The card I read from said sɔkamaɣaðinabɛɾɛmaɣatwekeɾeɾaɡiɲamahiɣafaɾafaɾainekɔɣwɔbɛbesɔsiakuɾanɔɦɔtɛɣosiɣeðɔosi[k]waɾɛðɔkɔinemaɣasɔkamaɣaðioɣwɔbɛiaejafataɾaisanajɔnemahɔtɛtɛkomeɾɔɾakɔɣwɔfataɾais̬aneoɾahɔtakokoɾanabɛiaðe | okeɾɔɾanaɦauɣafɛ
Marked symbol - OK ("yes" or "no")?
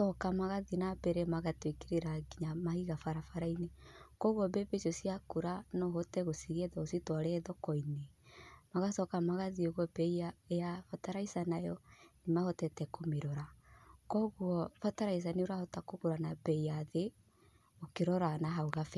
no